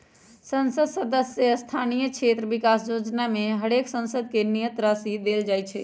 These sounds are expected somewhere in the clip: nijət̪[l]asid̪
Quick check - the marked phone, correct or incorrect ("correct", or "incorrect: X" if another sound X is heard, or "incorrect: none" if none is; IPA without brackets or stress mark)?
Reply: incorrect: ɾ